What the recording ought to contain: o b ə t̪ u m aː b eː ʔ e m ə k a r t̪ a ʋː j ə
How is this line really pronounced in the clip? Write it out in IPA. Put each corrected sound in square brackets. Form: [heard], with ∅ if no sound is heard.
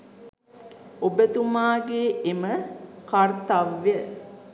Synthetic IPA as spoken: o b ə t̪ u m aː [ɡ] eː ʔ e m ə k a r t̪ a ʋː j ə